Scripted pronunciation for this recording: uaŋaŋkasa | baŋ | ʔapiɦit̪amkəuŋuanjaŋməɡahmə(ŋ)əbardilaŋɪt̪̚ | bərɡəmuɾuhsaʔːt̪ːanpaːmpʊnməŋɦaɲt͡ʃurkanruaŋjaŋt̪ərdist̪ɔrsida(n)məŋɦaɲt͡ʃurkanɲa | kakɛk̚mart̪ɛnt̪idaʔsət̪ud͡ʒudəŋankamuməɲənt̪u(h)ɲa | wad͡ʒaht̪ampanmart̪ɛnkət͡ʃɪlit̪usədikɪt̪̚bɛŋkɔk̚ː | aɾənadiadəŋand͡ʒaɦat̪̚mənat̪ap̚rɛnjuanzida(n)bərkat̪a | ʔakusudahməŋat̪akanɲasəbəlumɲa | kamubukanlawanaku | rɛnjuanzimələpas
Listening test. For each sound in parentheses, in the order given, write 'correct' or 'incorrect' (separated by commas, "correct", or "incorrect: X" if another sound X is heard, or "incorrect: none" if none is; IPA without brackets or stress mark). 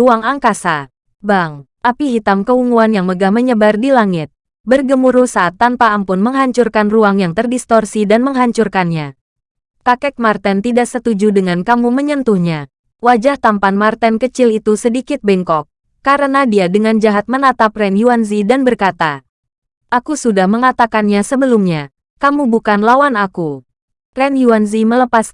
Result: incorrect: ɲ, correct, correct, correct